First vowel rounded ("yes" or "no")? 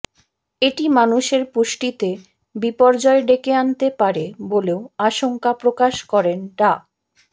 no